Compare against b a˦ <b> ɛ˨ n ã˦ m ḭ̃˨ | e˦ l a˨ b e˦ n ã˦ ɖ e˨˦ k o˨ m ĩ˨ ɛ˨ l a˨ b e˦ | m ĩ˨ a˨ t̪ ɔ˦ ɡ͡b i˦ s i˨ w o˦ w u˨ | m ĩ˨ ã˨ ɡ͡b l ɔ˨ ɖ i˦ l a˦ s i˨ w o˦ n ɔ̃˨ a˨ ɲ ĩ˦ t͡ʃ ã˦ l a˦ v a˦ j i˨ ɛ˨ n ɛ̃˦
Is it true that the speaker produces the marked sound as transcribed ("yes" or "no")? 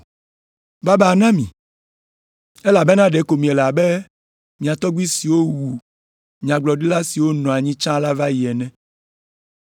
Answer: yes